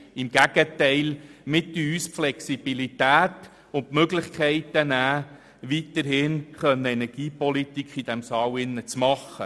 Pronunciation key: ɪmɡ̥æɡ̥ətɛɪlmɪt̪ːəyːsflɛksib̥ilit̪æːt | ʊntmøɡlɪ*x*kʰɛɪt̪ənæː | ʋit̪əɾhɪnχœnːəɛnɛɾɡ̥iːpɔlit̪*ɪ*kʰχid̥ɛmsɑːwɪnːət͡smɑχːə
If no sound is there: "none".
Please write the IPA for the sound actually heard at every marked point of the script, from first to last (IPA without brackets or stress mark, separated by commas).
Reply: χ, i